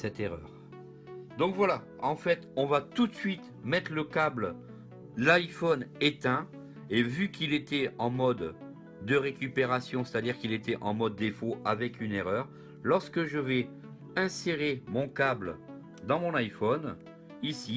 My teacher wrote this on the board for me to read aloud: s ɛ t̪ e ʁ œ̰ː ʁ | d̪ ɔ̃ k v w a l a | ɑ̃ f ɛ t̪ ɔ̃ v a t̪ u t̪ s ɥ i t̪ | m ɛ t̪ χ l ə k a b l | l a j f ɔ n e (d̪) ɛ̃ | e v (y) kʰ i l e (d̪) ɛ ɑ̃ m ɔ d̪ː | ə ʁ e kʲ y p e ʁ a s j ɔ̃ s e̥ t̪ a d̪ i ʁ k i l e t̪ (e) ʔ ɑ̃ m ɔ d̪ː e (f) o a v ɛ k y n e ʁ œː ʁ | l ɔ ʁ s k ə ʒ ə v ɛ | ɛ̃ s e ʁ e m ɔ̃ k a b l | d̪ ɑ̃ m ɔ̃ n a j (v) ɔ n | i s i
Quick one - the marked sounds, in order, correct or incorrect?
incorrect, correct, incorrect, incorrect, correct, incorrect

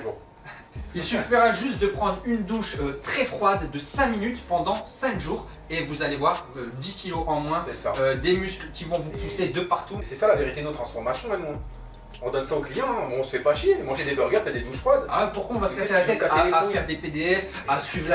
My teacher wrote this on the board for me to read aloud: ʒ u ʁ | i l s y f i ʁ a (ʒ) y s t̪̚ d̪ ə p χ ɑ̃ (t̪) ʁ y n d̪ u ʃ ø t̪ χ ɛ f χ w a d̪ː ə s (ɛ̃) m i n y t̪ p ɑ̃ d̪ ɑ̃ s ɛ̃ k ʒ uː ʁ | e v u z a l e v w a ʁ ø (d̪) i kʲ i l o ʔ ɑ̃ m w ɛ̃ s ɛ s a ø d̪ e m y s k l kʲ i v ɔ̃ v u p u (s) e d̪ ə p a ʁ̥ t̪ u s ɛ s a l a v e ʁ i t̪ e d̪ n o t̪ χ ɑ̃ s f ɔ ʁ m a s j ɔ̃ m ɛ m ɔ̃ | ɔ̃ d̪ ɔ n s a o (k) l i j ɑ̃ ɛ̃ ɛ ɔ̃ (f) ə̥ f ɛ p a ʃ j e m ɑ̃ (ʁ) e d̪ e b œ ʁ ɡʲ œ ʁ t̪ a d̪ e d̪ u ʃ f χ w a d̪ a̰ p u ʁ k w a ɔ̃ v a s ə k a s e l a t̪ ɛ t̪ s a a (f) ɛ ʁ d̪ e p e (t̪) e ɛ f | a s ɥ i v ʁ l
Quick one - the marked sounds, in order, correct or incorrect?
correct, incorrect, correct, correct, correct, correct, incorrect, incorrect, correct, incorrect

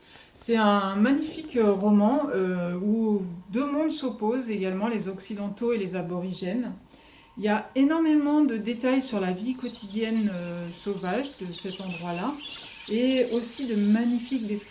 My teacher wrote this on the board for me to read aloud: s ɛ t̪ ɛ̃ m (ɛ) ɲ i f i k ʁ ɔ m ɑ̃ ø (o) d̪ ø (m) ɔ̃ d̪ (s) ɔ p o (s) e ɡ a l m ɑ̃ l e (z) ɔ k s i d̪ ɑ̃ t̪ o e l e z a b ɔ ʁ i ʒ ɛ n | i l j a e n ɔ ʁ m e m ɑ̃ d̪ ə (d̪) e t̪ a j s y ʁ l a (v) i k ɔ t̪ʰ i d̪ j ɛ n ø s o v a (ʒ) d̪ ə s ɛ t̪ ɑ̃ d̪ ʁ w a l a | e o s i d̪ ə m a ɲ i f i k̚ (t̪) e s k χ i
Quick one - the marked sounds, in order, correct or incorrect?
incorrect, incorrect, correct, correct, incorrect, correct, correct, correct, correct, incorrect

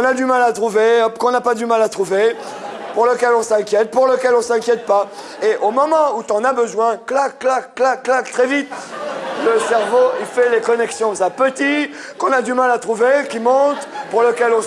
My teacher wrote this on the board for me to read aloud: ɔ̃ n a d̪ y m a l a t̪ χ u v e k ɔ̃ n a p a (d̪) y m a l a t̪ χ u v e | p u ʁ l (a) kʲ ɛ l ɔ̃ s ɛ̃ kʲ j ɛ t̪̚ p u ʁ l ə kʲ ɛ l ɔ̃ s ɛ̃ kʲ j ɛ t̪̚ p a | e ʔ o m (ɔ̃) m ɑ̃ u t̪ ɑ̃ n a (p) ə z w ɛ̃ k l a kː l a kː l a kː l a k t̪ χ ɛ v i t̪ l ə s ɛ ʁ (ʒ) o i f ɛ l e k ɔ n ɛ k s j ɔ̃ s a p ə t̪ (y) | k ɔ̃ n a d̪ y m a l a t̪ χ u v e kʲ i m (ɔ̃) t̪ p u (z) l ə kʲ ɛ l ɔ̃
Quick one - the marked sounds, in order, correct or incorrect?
correct, incorrect, incorrect, incorrect, incorrect, incorrect, correct, incorrect

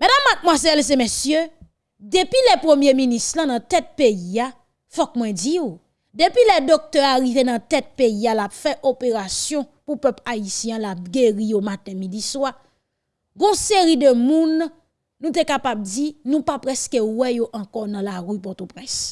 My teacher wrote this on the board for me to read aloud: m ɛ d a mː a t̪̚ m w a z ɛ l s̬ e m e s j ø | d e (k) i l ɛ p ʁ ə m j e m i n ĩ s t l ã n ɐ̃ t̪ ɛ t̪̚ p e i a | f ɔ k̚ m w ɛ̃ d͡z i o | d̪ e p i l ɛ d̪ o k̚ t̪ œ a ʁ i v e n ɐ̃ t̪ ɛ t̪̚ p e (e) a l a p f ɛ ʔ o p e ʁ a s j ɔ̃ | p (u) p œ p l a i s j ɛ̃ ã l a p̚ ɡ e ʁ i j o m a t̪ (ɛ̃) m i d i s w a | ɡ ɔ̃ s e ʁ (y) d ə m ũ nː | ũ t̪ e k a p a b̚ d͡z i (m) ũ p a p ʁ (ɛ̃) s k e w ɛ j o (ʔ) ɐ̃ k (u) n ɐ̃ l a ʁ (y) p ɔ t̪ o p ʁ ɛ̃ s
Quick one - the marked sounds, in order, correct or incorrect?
incorrect, incorrect, correct, correct, incorrect, incorrect, incorrect, correct, incorrect, correct

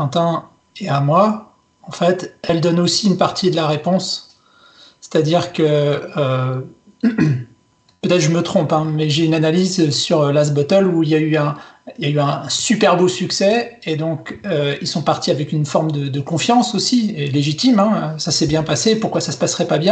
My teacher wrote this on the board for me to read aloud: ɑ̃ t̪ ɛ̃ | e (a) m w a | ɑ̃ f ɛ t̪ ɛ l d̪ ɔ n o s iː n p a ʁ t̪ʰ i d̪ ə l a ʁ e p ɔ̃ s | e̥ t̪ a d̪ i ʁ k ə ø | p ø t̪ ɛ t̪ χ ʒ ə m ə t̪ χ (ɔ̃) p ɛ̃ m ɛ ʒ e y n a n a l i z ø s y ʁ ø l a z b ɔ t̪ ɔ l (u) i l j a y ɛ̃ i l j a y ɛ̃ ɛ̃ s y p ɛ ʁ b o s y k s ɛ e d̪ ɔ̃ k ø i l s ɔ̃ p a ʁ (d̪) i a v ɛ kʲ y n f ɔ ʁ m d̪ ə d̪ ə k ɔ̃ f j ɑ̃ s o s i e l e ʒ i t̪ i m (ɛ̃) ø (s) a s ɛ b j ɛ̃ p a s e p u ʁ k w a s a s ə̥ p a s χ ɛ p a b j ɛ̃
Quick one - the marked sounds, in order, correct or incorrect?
correct, correct, correct, incorrect, correct, correct

